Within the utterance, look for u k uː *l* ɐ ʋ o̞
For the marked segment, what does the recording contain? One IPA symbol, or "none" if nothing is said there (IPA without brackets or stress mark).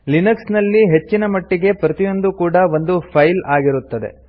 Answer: ɽ